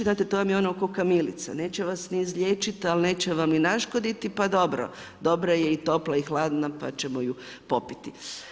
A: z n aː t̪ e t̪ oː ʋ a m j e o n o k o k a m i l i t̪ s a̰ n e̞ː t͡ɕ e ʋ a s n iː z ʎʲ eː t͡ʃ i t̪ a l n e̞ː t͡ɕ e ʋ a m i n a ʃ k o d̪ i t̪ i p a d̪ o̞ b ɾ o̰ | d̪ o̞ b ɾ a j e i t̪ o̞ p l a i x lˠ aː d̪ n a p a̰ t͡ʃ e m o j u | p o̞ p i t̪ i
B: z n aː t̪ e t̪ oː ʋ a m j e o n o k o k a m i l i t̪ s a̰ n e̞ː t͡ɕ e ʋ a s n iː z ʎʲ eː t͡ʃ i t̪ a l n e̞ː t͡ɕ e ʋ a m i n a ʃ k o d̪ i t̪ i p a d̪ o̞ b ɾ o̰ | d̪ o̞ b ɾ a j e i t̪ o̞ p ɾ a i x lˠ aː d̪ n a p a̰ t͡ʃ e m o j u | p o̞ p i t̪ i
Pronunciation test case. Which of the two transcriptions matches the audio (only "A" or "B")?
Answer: A